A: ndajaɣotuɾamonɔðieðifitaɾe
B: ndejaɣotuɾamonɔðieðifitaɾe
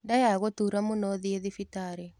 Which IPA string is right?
A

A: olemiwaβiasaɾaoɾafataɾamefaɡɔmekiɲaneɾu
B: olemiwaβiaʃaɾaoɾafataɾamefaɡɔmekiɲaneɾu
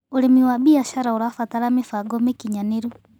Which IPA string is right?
B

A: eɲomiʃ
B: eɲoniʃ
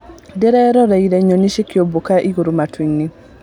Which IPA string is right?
B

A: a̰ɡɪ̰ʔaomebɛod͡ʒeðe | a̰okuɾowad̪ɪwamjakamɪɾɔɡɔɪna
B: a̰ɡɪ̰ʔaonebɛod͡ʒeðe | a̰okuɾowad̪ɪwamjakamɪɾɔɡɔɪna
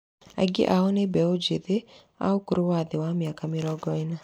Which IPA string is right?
B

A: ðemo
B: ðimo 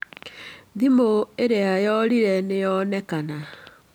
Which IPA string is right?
B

